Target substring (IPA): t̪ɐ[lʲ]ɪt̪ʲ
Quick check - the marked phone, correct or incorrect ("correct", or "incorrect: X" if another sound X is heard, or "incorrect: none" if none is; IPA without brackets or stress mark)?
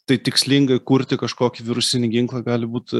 incorrect: none